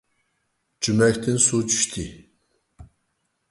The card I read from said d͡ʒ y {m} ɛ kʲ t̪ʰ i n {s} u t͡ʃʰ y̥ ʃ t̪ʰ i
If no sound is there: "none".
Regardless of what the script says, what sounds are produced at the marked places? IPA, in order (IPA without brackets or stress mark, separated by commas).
m, s